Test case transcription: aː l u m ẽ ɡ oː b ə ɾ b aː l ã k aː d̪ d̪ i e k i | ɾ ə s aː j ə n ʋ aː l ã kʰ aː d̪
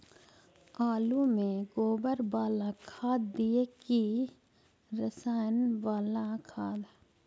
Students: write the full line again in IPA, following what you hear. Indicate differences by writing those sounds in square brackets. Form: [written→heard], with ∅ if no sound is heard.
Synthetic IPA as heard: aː l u m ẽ ɡ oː b ə ɾ b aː l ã [k→kʰ] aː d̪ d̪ i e k i | ɾ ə s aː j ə n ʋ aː l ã kʰ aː d̪